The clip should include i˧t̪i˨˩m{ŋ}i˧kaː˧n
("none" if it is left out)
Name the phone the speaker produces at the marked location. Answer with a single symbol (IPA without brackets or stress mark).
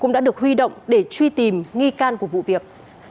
ŋ